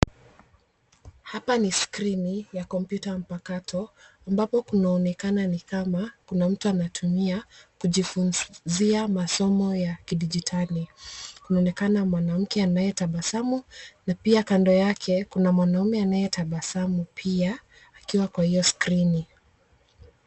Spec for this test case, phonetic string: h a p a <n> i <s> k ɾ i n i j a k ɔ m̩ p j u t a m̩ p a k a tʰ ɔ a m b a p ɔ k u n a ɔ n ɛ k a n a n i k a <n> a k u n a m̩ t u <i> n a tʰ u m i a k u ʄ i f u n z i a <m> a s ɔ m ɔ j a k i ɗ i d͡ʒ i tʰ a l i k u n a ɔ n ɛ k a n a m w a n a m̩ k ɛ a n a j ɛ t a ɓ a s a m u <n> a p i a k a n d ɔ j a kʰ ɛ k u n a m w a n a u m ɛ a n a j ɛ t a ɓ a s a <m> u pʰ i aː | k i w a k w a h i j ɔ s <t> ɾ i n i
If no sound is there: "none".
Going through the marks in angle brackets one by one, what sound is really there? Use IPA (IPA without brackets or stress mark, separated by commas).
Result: n, s, m, a, m, n, m, k